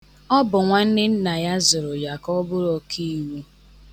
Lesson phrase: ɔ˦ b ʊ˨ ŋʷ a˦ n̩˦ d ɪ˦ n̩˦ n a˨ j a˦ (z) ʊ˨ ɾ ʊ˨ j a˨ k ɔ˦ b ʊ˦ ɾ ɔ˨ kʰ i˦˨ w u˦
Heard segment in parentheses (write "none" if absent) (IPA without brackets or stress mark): z